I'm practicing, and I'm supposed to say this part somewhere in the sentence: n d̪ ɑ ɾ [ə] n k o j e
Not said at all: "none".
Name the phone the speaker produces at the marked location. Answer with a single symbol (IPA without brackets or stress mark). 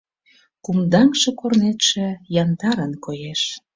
ə